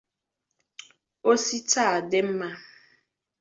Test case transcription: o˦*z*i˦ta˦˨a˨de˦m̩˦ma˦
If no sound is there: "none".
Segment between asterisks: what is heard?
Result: s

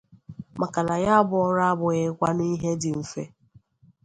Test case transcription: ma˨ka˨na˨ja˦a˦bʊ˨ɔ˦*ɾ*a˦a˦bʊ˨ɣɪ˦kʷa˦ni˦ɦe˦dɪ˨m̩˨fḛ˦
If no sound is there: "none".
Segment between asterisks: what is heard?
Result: ɾ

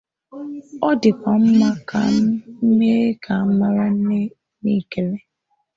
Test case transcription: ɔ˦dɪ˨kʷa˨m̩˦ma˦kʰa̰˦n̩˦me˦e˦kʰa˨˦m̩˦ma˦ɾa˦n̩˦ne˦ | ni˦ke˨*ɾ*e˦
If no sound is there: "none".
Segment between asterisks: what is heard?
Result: l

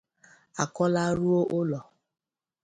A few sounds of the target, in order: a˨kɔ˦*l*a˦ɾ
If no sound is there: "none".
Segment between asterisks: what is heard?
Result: l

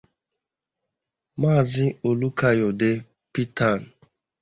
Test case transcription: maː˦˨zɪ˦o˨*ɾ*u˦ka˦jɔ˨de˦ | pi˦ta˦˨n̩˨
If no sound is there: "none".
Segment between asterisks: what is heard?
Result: l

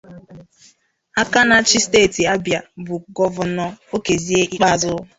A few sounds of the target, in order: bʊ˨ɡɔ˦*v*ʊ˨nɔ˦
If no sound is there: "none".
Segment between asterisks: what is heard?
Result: v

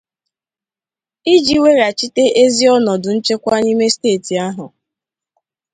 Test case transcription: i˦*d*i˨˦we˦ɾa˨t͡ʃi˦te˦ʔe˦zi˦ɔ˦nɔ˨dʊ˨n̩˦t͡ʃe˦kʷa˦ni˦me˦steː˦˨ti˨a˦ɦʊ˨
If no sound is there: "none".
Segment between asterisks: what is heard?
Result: d͡ʒ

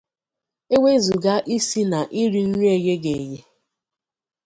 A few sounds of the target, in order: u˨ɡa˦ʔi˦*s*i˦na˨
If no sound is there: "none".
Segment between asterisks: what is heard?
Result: s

